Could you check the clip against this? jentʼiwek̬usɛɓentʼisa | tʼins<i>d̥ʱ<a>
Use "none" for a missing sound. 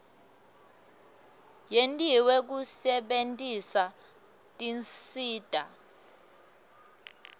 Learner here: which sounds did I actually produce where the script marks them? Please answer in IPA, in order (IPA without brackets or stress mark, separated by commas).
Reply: iː, a